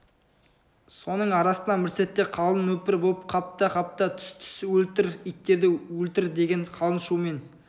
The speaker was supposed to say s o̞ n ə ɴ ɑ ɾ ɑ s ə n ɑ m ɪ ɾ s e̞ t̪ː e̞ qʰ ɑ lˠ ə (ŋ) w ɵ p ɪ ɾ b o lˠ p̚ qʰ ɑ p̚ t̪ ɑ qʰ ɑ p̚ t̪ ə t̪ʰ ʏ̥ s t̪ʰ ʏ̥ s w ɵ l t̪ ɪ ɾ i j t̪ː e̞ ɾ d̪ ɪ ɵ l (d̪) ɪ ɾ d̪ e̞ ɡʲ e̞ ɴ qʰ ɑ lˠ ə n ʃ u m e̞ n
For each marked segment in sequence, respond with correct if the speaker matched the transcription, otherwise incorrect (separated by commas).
incorrect, incorrect